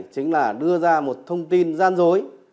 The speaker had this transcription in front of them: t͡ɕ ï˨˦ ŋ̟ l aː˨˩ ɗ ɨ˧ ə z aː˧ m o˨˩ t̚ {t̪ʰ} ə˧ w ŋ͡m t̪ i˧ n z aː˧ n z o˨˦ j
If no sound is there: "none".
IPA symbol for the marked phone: t̪ʰ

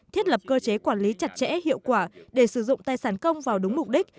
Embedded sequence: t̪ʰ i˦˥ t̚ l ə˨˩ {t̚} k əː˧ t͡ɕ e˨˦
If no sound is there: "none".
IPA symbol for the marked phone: p̚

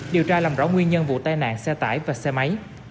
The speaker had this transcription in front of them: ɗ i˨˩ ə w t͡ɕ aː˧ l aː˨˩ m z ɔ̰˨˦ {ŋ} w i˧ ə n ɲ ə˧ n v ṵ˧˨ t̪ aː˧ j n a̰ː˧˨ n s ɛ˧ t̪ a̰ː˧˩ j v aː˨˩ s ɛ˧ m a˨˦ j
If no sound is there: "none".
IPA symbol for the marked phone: ŋ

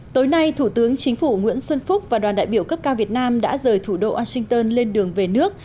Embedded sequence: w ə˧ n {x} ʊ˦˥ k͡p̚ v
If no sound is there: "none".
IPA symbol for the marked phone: f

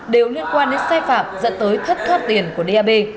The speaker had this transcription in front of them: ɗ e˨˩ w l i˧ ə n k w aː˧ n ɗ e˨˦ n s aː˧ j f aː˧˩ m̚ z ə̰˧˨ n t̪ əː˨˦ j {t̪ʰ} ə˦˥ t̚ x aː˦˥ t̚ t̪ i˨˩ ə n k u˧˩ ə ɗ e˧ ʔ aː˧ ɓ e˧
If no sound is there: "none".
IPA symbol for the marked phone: t̪ʰ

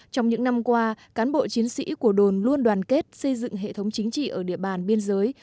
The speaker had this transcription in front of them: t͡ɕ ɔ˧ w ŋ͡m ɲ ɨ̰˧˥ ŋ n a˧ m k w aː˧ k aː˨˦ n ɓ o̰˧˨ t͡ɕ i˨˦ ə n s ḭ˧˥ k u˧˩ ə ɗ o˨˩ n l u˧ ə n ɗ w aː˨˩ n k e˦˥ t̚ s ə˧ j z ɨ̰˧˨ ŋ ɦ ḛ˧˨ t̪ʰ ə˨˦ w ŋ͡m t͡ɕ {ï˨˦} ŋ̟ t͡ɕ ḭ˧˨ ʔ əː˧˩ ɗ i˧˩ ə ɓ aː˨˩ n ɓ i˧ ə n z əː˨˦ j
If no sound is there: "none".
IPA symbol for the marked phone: ï˨˦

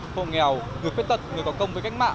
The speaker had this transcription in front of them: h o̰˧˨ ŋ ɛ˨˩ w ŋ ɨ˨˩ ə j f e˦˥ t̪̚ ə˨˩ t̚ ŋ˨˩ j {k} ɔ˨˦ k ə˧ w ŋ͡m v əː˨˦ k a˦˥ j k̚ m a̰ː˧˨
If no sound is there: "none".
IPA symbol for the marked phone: k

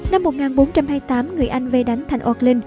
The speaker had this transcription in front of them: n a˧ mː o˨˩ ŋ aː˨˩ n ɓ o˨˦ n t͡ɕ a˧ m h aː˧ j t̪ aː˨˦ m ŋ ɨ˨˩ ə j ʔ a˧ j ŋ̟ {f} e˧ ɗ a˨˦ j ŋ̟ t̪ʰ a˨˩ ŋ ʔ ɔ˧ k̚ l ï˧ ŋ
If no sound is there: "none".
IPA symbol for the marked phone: v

